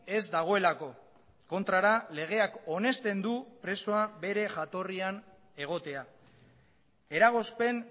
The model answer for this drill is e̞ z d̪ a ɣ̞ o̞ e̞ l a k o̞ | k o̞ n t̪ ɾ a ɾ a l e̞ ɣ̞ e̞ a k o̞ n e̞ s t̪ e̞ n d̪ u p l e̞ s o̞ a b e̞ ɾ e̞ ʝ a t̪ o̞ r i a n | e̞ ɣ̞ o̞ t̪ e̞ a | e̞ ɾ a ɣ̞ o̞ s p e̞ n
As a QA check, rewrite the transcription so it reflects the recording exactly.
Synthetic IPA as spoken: e̞ z d̪ a ɣ̞ o̞ e̞ l a k o̞ | k o̞ n t̪ ɾ a ɾ a l e̞ ɣ̞ e̞ a k o̞ n e̞ s t̪ e̞ n d̪ u p ɾ e̞ s o̞ a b e̞ ɾ e̞ ʝ a t̪ o̞ r i a n | e̞ ɣ̞ o̞ t̪ e̞ a | e̞ ɾ a ɣ̞ o̞ s p e̞ n